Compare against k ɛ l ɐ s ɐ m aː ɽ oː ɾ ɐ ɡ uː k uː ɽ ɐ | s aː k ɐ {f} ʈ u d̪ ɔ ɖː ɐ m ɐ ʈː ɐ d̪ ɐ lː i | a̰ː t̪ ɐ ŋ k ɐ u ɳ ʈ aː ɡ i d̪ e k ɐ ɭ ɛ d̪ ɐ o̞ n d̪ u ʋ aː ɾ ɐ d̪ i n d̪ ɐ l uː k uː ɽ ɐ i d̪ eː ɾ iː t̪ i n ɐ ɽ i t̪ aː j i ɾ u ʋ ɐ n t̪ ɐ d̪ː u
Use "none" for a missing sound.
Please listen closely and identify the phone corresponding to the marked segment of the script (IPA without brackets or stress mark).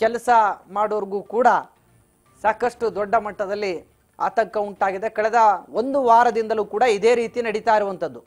ʂ